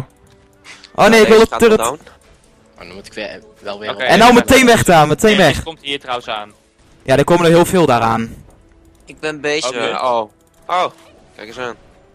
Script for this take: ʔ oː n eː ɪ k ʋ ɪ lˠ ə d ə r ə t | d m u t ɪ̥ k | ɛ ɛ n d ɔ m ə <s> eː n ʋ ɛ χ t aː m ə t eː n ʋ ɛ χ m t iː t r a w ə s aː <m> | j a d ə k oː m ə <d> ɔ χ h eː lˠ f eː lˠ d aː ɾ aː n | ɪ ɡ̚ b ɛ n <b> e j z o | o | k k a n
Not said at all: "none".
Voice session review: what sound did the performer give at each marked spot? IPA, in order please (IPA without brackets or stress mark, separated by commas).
t, n, n, b